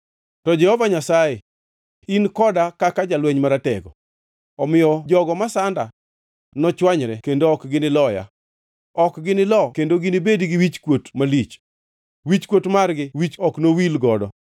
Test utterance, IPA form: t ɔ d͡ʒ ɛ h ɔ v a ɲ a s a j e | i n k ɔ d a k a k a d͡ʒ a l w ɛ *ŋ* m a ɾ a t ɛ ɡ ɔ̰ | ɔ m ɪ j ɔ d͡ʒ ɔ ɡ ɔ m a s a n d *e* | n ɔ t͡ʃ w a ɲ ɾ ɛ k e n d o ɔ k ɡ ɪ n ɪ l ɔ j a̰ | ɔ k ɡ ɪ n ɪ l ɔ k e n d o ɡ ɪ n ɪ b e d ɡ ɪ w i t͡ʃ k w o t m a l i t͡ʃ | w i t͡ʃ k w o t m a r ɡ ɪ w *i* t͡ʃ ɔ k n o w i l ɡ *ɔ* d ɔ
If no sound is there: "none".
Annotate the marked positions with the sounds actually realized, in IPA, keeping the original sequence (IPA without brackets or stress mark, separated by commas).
ɲ, a, i, ɔ